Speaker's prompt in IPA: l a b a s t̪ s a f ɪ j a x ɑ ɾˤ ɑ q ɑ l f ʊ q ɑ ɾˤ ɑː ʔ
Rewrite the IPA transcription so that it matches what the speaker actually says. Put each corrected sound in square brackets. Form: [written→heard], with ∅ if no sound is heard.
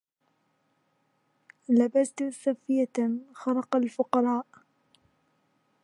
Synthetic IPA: l a b a s t̪ s a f ɪ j a x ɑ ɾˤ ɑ q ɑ l f ʊ q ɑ ɾˤ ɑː ʔ